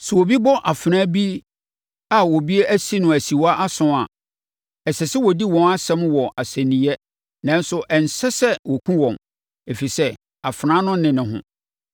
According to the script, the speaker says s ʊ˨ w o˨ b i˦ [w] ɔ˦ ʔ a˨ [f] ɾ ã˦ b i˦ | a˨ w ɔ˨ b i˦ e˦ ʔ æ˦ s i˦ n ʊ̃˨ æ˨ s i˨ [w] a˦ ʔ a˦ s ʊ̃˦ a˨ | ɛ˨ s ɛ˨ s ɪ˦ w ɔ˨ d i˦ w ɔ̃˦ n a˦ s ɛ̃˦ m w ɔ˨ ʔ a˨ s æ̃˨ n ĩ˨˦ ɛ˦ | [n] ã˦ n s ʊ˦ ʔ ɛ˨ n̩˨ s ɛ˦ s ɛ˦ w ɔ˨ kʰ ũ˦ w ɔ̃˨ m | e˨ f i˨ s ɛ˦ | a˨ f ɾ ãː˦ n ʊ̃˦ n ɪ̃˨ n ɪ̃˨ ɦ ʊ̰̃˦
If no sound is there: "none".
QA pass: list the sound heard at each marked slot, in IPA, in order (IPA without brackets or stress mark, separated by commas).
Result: b, f, w, n